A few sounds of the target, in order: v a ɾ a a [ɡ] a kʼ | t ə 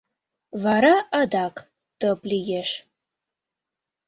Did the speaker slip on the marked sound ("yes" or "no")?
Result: yes